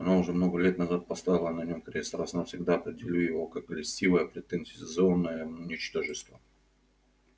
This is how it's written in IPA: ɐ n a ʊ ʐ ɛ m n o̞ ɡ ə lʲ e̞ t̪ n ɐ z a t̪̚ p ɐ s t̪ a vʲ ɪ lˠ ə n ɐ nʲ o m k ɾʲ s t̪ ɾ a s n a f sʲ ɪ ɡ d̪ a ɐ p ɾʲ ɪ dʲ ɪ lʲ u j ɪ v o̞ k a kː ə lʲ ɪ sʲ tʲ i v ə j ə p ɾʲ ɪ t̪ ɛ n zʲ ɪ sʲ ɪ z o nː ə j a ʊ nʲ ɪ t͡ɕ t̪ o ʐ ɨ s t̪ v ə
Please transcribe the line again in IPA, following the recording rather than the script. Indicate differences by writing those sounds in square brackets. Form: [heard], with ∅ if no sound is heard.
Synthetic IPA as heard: ɐ n a ʊ ʐ ɛ m n o̞ ɡ ə lʲ e̞ t̪ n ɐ z a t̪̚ p ɐ s t̪ a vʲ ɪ lˠ ə n ɐ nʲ o m k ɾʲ s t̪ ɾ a s n a f sʲ ɪ ɡ d̪ a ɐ p ɾʲ ɪ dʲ ɪ lʲ u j ɪ v o̞ k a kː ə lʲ ɪ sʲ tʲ i v ə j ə p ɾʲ ɪ t̪ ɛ n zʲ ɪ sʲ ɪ z o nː ə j [ə] ʊ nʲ ɪ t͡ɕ t̪ o ʐ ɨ s t̪ v ə